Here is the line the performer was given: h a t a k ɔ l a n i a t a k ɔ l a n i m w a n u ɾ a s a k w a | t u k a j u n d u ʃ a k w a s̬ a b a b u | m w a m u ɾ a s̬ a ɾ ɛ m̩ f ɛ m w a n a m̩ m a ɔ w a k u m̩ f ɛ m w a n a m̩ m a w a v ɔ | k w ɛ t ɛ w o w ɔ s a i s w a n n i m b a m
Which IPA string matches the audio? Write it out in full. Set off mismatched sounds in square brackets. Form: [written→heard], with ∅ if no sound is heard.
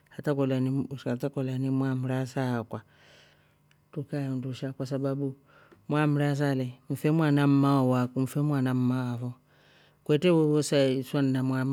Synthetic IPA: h a t a k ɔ l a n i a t a k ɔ l a n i m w a [n→m] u ɾ a s a k w a | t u k a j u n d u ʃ a k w a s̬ a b a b u | m w a m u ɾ a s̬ a [ɾ→l] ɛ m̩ f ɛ m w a n a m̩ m a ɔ w a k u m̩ f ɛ m w a n a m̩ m a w a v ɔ | k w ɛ t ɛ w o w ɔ s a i s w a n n [i→a] m [b→w] a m

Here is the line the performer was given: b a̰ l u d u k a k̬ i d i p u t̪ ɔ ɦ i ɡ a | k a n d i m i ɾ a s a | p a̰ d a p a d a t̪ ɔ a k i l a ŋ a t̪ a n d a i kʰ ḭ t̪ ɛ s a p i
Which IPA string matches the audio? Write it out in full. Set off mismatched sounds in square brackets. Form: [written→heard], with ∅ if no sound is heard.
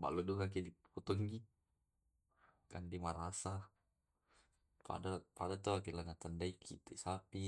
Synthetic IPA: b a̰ l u d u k a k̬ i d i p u t̪ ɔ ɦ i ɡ [a→i] | k a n d i m [i→a] ɾ a s a | p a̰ d a p a d a t̪ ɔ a k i l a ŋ a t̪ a n d a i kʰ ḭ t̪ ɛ s a p i

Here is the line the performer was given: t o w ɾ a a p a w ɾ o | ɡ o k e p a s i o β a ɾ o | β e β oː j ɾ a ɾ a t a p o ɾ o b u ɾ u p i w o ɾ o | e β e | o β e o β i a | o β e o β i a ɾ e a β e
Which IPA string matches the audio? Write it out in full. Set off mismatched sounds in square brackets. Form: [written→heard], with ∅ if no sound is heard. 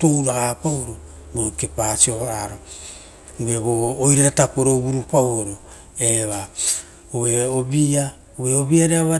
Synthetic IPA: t o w ɾ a a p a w ɾ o | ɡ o k e p a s i o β a ɾ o | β e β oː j ɾ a ɾ a t a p o ɾ o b u ɾ u p [i→a] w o ɾ o | e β [e→a] | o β e o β i a | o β e o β i a ɾ e a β [e→a]

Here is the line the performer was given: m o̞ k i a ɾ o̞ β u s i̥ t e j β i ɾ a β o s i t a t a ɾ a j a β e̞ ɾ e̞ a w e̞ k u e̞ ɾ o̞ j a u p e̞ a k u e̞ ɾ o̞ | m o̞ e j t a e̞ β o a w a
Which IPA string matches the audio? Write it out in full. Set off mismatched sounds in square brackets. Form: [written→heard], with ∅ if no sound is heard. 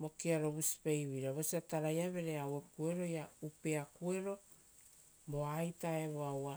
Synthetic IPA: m o̞ k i a ɾ o̞ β u s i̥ [t→p] e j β i ɾ a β o s i [t→∅] a t a ɾ a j a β e̞ ɾ e̞ a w e̞ k u e̞ ɾ o̞ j a u p e̞ a k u e̞ ɾ o̞ | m o̞ [e→a] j t a e̞ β o a w a

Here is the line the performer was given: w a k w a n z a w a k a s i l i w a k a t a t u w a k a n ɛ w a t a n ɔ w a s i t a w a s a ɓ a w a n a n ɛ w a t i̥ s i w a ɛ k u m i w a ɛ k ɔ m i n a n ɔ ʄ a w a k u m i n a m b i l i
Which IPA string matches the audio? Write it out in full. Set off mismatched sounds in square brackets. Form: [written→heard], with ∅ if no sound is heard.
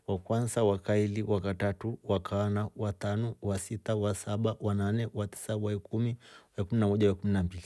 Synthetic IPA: w a k w a n z a w a k a [s→∅] i l i w a k a t a t u w a k a n [ɛ→a] w a t a n ɔ w a s i t a w a s a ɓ a w a n a n ɛ w a t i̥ s [i→a] w a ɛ k u m i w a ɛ k [ɔ→u] m i n a [n→m] ɔ ʄ a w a k u m i n a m b i l i

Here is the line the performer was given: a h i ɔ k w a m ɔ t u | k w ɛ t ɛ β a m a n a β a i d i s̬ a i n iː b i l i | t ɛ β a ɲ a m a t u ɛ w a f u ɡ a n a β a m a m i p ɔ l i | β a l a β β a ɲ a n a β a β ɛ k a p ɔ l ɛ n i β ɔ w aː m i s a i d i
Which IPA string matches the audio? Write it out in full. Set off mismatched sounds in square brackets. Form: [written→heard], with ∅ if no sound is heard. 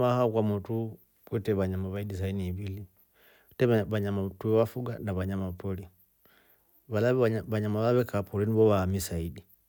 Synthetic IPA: a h [i→a] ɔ k w a m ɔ t u | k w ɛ t ɛ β a [m→ɲ] a [n→m] a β a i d i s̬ a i n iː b i l i | t ɛ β a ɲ a m a t u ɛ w a f u ɡ a n a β a [m→ɲ] a m [i→a] p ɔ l i | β a l a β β a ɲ a [n→m] a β a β ɛ k a p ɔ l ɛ n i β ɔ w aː m i s a i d i

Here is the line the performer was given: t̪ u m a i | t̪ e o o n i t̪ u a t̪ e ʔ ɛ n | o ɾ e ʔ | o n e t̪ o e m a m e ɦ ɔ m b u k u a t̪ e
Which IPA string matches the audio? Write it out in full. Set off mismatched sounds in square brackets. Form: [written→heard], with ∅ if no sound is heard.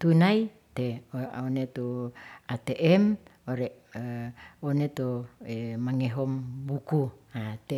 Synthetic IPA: t̪ u [m→n] a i | t̪ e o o n [i→e] t̪ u a t̪ e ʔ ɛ [n→m] | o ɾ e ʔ | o n e t̪ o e m a [m→ŋ] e ɦ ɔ m b u k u a t̪ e

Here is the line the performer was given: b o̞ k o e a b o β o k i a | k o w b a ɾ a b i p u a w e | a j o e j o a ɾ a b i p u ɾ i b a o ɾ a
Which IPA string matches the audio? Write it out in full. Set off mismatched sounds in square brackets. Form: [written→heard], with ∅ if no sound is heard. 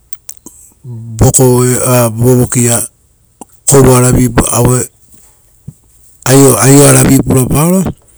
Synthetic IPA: b o̞ k o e a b o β o k i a | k o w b a ɾ a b i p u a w e | a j o [e→a] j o a ɾ a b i p u ɾ [i→a] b a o ɾ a

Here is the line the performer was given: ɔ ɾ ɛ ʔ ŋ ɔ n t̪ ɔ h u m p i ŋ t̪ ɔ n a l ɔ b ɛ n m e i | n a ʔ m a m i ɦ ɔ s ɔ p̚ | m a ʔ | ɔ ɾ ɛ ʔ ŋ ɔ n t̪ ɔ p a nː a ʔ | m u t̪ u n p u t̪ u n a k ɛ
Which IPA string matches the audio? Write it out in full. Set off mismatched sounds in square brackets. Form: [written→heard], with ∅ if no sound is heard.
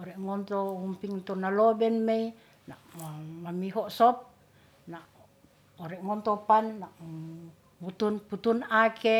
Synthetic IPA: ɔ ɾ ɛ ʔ ŋ ɔ n t̪ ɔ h u m p i ŋ t̪ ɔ n a l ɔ b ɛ n m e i | n a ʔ m a m i ɦ ɔ s ɔ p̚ | [m→n] a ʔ | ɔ ɾ ɛ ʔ ŋ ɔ n t̪ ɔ p a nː a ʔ | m u t̪ u n p u t̪ u n a k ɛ

